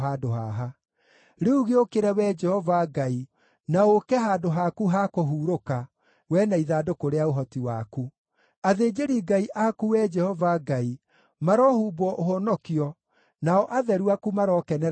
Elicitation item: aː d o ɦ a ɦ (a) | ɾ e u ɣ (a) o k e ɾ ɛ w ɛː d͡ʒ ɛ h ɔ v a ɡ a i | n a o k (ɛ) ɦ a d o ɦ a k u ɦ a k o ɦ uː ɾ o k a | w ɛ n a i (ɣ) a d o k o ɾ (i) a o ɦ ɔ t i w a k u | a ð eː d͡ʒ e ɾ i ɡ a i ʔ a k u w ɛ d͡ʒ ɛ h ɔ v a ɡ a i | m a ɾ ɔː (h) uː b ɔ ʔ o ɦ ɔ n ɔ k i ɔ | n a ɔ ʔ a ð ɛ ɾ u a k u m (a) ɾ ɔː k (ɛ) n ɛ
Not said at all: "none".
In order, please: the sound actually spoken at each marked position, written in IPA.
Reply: a, e, ɛ, ð, e, h, a, ɛ

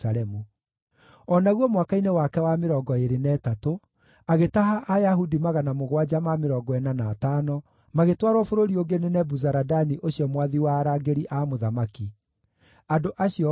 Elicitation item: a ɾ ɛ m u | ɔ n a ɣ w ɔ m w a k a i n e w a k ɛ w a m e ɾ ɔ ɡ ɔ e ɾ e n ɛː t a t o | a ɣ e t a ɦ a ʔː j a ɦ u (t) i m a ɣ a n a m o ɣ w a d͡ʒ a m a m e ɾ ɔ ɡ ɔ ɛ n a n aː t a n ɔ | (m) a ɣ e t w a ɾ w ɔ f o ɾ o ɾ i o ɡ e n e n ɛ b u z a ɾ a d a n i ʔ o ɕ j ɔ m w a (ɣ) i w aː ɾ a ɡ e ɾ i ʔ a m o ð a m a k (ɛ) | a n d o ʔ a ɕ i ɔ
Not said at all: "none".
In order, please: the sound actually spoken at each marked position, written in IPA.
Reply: d, m, ð, i

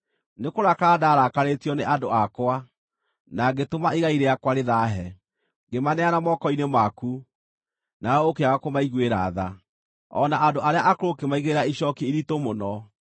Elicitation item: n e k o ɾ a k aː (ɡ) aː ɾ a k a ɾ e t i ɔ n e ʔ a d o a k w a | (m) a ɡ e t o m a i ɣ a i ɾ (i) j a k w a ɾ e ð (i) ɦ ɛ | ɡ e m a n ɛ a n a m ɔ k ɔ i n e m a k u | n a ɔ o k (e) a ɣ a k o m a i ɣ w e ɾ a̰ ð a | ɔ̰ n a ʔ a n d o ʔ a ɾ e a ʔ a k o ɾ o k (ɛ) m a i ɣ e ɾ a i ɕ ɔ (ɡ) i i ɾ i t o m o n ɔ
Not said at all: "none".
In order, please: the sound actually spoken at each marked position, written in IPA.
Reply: d, n, e, a, e, e, k

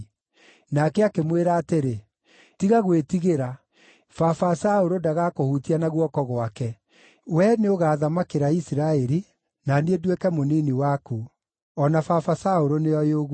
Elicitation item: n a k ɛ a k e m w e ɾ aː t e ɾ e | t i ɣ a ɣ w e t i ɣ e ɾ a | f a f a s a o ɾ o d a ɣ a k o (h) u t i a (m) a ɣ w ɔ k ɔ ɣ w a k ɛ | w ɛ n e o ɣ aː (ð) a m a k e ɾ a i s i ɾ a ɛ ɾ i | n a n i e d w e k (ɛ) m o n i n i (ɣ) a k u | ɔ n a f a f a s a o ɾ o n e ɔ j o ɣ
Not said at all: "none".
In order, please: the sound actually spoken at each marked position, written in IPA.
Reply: h, n, ð, ɛ, w

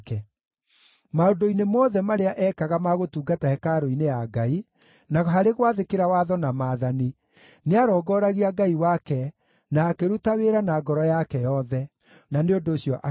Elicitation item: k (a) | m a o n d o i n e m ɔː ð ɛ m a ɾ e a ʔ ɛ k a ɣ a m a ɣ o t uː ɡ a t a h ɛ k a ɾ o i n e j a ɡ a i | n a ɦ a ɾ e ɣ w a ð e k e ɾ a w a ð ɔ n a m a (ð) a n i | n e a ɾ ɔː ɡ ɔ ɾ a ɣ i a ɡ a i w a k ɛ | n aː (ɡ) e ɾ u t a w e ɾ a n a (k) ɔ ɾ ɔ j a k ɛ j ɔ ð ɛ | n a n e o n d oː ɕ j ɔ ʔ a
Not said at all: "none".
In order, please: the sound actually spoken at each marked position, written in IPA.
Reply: ɛ, ð, k, ɡ

